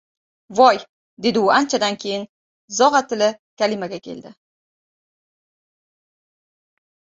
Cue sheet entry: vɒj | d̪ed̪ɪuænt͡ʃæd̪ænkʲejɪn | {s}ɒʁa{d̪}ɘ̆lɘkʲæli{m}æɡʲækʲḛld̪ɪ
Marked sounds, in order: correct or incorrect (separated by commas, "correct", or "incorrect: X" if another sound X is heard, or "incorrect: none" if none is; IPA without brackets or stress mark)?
incorrect: z, incorrect: t̪, correct